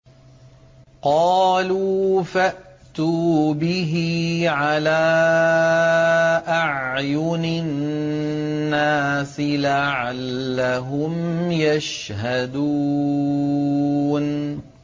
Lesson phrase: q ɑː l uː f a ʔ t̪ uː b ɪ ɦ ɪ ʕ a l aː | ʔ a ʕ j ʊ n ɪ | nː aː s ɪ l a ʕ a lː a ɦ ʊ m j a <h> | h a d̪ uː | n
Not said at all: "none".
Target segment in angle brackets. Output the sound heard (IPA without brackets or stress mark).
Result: ʃ